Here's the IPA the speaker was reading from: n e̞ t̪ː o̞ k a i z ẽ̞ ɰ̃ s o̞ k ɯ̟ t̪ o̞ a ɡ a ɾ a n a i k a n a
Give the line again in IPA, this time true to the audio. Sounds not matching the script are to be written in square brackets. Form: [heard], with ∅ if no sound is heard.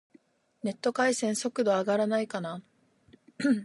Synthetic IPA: n e̞ t̪ː o̞ k a i [s] ẽ̞ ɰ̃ s o̞ k ɯ̟ [d̪] o̞ a ɡ a ɾ a n a i k a n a